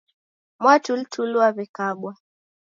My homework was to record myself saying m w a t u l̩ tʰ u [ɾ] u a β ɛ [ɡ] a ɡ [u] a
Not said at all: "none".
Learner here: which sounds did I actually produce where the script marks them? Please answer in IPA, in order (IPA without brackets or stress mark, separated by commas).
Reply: l, k, w